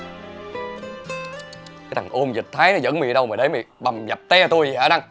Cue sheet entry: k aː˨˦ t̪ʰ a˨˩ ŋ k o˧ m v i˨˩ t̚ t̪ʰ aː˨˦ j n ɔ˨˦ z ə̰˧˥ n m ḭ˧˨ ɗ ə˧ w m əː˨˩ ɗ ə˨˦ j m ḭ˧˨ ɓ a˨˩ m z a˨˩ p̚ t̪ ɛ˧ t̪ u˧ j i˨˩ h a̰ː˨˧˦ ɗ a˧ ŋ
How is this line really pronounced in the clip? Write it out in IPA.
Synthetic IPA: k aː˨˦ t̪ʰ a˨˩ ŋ ʔ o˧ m z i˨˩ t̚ t̪ʰ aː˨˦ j n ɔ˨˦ z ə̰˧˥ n m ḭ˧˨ ɗ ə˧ w m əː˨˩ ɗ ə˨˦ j m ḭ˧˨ ɓ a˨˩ m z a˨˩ p̚ t̪ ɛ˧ t̪ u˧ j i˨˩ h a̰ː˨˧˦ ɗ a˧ ŋ